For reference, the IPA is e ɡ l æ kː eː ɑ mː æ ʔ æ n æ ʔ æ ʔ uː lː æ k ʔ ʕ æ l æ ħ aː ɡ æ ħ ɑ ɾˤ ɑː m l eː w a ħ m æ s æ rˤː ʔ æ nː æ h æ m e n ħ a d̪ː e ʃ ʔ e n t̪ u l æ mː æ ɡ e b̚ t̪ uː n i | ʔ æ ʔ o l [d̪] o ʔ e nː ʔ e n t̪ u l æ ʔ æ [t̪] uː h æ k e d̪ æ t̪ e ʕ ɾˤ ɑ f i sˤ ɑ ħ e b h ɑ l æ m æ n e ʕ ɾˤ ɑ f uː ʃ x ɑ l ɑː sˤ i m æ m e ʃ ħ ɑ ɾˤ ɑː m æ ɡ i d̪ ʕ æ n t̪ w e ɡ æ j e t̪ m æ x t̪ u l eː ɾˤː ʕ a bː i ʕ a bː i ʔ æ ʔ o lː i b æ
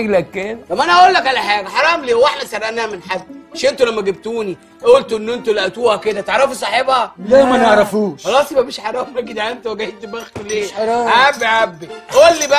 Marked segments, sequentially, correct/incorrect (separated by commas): incorrect, correct